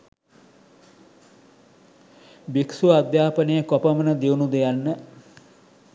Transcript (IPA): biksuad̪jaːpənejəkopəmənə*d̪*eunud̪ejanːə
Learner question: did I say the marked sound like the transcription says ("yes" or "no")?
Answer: yes